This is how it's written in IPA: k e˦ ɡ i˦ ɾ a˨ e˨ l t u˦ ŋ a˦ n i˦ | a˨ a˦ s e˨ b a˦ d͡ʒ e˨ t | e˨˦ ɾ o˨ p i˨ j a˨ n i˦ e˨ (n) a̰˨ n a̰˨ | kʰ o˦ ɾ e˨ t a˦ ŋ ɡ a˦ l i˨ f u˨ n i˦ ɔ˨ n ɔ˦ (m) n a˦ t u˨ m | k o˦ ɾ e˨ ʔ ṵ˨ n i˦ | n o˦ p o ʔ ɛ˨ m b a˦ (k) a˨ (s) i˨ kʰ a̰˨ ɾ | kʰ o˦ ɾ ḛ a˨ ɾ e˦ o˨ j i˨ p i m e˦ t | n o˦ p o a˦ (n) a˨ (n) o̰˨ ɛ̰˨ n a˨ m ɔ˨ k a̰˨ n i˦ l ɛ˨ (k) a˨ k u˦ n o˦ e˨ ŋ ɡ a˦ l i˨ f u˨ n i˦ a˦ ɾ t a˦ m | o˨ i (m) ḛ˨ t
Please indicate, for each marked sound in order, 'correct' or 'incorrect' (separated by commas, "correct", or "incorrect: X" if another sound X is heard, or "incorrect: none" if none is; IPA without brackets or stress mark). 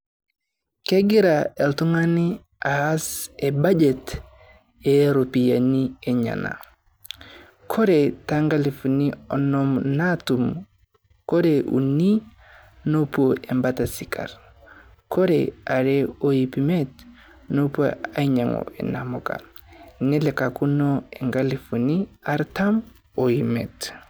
incorrect: ɲ, correct, incorrect: t, correct, incorrect: ɲ, incorrect: ŋ, correct, correct